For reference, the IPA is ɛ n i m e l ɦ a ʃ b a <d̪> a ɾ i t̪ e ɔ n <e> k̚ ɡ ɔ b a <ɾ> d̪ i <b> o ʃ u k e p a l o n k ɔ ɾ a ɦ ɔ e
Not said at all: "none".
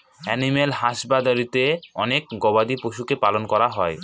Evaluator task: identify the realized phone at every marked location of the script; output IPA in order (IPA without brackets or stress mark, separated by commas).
d̪, e, none, p